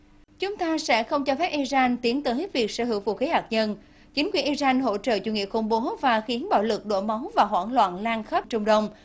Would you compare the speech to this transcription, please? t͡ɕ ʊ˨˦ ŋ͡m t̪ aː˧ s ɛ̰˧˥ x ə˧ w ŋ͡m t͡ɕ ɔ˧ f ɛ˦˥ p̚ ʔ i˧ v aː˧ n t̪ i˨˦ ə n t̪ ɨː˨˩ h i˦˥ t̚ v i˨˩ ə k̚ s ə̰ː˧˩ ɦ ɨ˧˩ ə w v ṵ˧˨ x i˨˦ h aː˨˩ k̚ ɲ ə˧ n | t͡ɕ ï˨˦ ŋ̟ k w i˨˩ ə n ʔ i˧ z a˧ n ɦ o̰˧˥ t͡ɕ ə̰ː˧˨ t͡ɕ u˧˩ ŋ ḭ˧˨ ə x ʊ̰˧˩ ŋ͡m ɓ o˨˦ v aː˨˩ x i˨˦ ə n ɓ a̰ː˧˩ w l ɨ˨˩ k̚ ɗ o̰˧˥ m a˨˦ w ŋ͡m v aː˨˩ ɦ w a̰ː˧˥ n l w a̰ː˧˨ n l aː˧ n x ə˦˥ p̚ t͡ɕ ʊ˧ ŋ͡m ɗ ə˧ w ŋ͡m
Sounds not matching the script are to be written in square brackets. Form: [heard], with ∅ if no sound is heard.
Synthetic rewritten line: t͡ɕ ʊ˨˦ ŋ͡m t̪ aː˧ s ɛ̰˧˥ x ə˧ w ŋ͡m t͡ɕ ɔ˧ f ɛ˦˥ p̚ ʔ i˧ [z] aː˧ n t̪ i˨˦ ə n t̪ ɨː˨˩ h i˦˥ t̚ v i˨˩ ə k̚ s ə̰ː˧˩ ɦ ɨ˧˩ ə w v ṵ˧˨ x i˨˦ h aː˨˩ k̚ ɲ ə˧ n | t͡ɕ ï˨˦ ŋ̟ k w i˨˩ ə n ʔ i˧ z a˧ n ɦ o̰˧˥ t͡ɕ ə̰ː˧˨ t͡ɕ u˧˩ ŋ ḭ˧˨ ə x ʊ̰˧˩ ŋ͡m ɓ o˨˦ v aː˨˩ x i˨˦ ə n ɓ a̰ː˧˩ w l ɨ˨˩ k̚ ɗ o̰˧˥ m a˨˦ w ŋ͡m v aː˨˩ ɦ w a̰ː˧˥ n l w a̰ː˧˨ n l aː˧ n x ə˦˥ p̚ t͡ɕ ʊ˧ ŋ͡m ɗ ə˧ w ŋ͡m